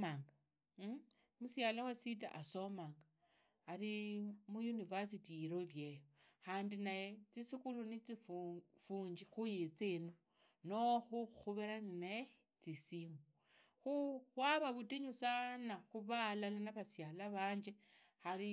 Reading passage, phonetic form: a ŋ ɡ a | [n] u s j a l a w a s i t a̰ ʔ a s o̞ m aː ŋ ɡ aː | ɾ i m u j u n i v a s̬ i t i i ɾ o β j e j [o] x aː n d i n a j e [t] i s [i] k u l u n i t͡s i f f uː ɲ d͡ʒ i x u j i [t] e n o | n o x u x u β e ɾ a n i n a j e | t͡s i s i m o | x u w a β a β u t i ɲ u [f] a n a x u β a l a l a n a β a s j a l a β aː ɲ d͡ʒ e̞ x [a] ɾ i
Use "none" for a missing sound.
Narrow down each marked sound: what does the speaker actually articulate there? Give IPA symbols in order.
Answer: m, o, t͡s, i, t͡s, s, a

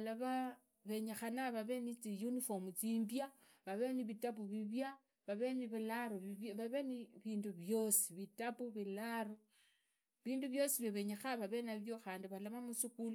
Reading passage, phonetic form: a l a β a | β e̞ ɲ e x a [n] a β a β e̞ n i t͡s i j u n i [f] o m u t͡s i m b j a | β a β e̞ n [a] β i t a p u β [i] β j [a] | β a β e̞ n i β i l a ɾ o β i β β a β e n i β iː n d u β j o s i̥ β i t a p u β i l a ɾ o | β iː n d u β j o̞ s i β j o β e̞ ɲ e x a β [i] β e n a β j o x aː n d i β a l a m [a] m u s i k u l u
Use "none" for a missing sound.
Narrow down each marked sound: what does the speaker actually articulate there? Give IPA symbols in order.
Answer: n, f, i, i, a, a, a

